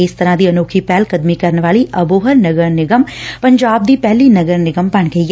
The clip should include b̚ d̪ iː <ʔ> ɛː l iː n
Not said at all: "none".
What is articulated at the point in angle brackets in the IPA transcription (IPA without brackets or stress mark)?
p